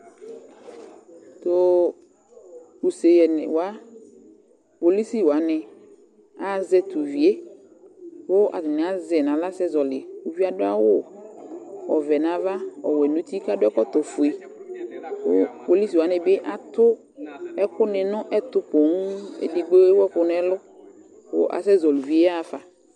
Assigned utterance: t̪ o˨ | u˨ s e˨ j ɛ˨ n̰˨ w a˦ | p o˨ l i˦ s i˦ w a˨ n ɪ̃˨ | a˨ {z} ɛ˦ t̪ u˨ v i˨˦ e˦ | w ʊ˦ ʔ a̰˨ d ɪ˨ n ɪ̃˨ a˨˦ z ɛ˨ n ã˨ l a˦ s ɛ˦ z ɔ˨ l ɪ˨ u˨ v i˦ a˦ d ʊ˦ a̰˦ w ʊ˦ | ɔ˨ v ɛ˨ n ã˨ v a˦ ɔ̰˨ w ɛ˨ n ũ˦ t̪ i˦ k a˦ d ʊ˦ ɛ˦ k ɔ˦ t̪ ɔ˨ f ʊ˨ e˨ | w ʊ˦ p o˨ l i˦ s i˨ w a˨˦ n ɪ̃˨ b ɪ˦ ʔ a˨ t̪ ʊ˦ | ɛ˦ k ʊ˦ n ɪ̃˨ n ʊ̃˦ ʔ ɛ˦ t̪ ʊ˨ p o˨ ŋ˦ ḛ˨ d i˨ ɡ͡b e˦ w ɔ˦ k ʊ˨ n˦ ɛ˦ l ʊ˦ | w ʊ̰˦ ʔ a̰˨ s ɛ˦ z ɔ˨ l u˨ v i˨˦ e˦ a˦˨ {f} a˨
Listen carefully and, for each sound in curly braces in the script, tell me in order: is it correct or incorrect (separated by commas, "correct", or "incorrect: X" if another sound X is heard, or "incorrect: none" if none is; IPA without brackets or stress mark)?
correct, correct